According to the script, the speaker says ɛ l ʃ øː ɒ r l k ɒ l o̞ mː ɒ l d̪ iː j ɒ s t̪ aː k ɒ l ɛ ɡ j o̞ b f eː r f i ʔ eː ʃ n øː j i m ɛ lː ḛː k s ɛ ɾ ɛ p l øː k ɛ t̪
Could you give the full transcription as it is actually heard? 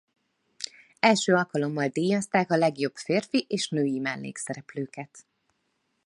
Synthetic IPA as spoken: ɛ l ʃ øː ɒ l k ɒ l o̞ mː ɒ l d̪ iː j ɒ s t̪ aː k ɒ l ɛ ɡ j o̞ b f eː r f i ʔ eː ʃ n øː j i m ɛ lː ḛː k s ɛ ɾ ɛ p l øː k ɛ t̪